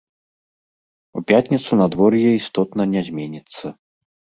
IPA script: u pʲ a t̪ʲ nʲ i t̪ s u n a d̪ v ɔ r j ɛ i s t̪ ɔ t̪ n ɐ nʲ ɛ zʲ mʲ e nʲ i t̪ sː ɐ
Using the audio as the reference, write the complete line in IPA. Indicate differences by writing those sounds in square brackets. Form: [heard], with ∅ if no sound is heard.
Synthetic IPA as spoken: u pʲ a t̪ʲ nʲ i t̪ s u n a d̪ v ɔ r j ɛ i s t̪ ɔ t̪ n ɐ nʲ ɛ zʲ mʲ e nʲ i t̪ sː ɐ

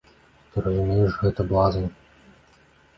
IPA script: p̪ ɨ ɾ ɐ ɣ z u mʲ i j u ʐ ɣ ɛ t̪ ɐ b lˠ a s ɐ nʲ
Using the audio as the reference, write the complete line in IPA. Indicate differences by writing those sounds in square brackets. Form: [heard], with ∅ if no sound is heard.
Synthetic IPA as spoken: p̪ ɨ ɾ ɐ [∅] z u mʲ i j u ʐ ɣ ɛ t̪ ɐ b lˠ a [z] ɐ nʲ

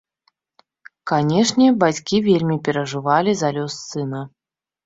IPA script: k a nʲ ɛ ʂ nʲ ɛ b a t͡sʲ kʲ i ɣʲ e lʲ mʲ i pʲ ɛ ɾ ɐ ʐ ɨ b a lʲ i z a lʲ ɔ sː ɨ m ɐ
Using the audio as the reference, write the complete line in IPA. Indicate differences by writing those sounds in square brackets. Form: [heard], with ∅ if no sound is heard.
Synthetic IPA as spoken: k a nʲ ɛ ʂ nʲ ɛ b a t͡sʲ kʲ i [vʲ] e lʲ mʲ i pʲ ɛ ɾ ɐ ʐ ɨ [v] a lʲ i z a lʲ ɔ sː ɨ [n] ɐ

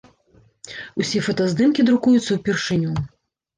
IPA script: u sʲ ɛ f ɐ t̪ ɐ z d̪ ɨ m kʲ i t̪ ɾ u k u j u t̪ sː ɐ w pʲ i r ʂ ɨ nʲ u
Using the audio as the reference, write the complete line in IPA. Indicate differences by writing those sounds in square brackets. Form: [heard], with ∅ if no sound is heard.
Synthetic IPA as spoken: u sʲ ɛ f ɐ t̪ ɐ z d̪ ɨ m kʲ i [d̪] ɾ u k u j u t̪ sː ɐ w pʲ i r ʂ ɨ nʲ u

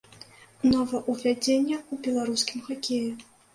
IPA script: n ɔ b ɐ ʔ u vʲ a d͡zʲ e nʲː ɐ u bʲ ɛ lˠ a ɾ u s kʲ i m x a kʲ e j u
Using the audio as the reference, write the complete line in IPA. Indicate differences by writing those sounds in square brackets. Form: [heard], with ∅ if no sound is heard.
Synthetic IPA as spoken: n ɔ [v] ɐ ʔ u vʲ a d͡zʲ e nʲː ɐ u bʲ ɛ lˠ a ɾ u s kʲ i m x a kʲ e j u

